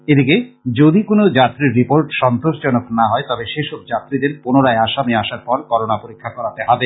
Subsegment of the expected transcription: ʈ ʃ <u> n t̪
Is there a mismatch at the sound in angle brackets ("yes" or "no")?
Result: yes